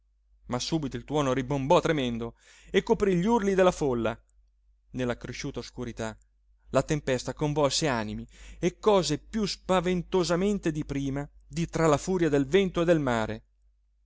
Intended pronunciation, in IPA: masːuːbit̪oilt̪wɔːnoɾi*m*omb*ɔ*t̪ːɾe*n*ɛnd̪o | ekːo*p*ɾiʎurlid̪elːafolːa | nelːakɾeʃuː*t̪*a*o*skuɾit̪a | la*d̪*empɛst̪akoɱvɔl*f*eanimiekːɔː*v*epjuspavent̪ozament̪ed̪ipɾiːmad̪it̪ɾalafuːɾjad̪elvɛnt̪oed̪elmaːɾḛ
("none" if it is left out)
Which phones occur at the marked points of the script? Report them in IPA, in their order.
b, ɔ, m, p, t̪, o, t̪, s, z

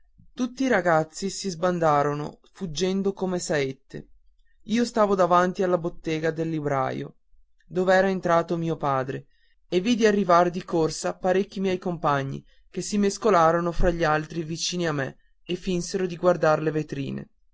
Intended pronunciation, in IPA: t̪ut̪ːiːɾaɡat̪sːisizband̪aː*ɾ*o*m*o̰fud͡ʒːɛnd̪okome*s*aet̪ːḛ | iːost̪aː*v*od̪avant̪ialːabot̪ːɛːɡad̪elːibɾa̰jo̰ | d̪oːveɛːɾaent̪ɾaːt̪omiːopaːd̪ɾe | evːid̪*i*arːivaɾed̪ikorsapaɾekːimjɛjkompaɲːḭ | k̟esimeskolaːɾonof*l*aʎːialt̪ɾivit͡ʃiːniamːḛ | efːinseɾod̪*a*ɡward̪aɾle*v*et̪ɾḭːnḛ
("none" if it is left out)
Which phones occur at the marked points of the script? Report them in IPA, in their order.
ɾ, n, s, v, i, ɾ, i, v

